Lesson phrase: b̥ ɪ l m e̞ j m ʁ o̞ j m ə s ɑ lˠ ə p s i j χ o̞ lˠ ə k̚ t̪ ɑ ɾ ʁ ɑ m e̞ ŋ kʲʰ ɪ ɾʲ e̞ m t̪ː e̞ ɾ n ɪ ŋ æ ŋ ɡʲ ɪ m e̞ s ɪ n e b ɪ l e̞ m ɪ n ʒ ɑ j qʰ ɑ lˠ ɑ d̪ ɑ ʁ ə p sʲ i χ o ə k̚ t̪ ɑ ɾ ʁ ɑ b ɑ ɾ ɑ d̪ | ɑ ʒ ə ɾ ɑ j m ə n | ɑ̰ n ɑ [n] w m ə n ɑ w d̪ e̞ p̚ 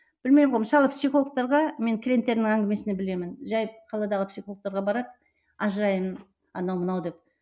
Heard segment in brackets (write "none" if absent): none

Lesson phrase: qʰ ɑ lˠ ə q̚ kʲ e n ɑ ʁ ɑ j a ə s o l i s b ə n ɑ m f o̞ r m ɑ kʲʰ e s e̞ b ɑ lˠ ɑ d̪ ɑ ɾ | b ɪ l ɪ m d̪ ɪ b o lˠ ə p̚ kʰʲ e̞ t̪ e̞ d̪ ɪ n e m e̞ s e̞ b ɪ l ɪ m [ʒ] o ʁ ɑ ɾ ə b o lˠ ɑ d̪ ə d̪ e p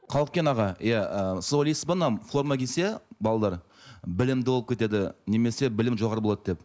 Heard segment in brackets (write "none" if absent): ʒ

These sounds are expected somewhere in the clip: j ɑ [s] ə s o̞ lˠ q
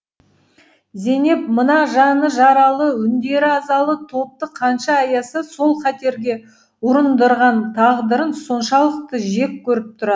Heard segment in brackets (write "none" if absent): s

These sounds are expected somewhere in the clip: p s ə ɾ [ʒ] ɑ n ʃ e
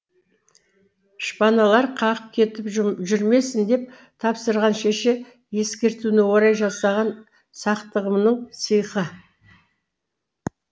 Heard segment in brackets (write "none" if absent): ʁ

